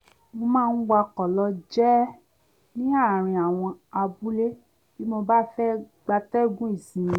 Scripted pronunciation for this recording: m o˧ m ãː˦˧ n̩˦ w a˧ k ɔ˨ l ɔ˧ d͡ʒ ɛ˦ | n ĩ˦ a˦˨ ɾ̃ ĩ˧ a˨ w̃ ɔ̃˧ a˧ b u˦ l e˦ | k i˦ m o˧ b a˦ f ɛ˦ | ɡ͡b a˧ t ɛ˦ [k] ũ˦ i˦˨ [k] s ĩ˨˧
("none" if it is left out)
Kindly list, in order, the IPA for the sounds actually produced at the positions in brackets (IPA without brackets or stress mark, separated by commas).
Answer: ɡ, none